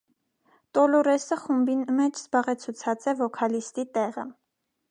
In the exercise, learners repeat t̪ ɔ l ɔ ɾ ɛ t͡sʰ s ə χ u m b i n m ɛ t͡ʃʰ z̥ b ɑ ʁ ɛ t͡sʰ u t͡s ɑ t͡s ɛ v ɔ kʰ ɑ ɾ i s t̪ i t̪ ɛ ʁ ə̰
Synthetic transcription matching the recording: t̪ ɔ l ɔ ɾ ɛ s ə χ u m b i n m ɛ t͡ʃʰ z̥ b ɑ ʁ ɛ t͡sʰ u t͡sʰ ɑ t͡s ɛ v ɔ kʰ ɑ l i s t̪ i t̪ ɛ ʁ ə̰